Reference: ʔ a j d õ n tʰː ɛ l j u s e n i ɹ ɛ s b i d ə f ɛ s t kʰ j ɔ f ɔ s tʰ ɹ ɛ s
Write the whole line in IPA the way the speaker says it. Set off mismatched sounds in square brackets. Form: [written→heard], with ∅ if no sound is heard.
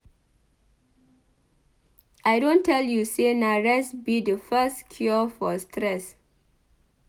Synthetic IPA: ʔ a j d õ n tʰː ɛ l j u s e n [i→a] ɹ ɛ s b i d ə f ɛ s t kʰ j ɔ f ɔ s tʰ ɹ ɛ s